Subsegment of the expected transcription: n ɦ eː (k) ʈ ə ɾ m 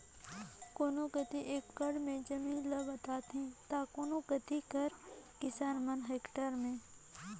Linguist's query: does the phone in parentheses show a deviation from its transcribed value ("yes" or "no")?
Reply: no